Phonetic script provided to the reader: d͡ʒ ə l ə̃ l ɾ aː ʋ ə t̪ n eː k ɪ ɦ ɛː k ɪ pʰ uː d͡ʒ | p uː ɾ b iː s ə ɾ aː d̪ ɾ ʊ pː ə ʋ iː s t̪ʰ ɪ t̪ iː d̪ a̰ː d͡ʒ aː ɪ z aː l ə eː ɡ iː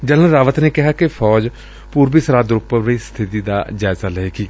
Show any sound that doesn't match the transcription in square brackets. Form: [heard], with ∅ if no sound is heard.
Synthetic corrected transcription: d͡ʒ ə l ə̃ [∅] ɾ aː ʋ ə t̪ n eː k ɪ ɦ [aː] k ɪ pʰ [ɔː] d͡ʒ | p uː ɾ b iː s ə ɾ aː d̪ ɾ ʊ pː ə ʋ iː s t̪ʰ ɪ t̪ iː d̪ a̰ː d͡ʒ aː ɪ z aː l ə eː ɡ iː